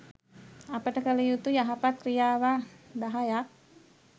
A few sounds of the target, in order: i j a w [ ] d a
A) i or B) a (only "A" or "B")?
B